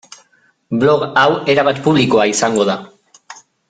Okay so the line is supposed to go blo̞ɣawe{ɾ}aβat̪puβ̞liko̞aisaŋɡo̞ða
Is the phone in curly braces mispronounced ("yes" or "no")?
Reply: no